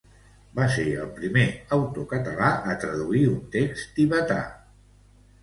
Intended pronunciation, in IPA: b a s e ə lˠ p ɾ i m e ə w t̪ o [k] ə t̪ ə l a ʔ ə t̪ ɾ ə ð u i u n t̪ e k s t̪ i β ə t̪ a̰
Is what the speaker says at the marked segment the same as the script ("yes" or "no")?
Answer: yes